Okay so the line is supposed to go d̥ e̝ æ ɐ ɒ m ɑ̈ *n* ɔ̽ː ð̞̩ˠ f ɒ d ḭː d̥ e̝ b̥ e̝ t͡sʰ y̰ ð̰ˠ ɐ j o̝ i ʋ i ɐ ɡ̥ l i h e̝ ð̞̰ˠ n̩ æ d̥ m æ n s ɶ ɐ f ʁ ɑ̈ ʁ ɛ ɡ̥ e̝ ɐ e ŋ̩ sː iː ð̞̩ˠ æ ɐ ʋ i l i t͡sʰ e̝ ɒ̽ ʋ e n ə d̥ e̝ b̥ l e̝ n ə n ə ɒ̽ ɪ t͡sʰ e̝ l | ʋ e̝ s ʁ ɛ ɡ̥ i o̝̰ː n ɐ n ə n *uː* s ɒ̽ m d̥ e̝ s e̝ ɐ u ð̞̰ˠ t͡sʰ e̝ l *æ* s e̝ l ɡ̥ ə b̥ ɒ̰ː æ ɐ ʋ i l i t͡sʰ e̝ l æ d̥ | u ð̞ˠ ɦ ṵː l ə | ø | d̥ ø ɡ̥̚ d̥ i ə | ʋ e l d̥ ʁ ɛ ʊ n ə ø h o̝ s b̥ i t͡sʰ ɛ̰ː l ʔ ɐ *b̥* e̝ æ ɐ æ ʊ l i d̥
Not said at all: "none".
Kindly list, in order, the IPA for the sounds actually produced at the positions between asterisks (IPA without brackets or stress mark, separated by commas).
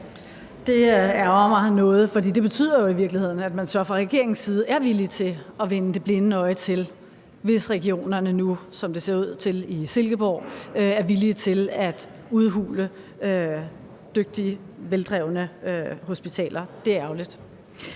n, u, i, d̥